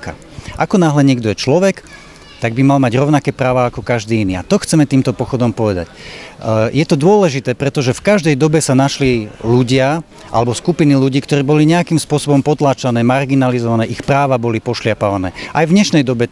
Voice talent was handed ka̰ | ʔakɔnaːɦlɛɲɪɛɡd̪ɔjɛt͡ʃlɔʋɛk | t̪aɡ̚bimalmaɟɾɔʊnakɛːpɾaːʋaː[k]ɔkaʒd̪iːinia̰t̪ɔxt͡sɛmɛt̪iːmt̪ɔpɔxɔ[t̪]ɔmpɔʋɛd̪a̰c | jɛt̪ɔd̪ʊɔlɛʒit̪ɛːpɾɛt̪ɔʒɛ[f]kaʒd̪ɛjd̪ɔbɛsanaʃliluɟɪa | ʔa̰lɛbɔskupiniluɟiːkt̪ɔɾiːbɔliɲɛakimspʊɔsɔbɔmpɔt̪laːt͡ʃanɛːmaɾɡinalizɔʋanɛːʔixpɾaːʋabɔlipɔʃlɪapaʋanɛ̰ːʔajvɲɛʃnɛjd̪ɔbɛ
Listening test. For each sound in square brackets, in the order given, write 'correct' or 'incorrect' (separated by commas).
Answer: correct, incorrect, correct